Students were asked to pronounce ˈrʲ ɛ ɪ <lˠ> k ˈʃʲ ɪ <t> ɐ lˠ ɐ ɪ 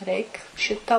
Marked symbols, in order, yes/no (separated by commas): no, yes